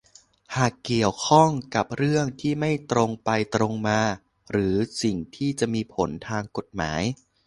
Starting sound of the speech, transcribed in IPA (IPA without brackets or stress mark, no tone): h